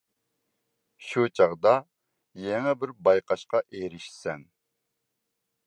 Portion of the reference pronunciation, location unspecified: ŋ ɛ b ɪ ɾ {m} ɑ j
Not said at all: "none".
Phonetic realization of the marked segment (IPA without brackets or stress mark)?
b